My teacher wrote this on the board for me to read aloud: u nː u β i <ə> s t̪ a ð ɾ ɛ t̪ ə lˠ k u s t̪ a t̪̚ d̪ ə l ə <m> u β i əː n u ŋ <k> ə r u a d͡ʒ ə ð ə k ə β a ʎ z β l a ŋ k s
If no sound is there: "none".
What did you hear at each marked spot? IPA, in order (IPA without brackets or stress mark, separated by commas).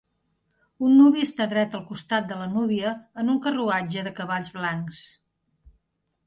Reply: ə, n, k